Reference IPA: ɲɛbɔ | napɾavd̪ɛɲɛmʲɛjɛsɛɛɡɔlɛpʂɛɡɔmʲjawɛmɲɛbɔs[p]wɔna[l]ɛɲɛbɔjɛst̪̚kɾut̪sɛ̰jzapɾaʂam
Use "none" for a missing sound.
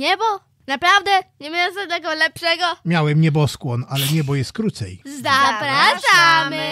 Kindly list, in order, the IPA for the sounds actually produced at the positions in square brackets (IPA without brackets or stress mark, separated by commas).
k, l